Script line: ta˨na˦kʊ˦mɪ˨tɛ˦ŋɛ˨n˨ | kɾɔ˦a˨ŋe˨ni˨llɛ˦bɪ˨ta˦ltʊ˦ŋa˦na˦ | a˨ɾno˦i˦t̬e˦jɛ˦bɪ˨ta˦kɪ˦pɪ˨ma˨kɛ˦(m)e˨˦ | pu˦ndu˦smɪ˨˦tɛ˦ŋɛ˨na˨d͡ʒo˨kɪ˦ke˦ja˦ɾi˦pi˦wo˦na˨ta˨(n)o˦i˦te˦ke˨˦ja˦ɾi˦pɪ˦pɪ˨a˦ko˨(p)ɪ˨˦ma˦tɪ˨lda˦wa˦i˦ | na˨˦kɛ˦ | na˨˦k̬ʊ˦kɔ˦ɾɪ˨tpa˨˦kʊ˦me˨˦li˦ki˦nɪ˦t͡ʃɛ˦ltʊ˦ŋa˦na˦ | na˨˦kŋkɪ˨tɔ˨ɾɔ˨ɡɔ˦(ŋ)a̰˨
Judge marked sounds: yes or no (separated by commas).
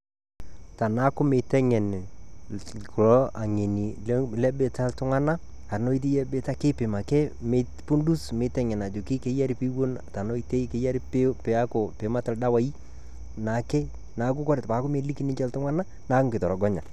yes, yes, yes, no